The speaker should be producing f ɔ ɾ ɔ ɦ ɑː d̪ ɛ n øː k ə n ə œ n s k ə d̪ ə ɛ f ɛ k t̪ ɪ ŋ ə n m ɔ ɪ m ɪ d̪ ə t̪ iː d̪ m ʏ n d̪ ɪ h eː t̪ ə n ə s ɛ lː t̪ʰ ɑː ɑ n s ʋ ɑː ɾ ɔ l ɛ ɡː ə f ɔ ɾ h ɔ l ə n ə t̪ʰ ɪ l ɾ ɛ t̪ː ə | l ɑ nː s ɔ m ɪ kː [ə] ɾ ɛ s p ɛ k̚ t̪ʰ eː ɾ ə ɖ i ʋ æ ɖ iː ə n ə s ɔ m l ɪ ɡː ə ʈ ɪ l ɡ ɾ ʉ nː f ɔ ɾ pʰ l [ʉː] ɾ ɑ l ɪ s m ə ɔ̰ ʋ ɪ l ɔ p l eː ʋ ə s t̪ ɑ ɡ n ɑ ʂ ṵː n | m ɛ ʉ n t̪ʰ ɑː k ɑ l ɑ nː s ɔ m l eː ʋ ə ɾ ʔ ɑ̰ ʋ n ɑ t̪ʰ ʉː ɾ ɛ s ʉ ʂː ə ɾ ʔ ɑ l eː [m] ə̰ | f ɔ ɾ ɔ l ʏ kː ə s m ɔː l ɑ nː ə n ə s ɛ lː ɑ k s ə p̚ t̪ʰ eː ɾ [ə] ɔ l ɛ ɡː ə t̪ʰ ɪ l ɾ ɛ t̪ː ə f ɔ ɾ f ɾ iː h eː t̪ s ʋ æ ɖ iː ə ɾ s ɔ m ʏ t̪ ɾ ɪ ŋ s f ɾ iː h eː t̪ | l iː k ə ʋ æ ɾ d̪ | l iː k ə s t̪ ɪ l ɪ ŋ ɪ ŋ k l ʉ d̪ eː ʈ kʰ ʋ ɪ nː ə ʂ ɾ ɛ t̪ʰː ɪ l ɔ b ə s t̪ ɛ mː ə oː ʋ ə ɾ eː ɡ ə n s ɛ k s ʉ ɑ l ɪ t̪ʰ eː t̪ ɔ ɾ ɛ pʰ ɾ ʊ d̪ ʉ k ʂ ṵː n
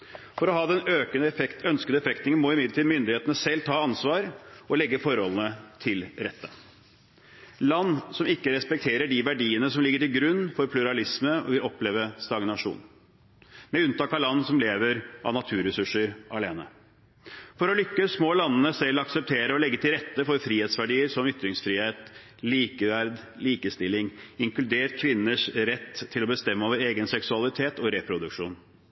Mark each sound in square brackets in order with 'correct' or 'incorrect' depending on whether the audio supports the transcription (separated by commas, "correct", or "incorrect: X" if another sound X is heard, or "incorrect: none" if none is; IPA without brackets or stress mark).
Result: correct, incorrect: ʉ, incorrect: n, correct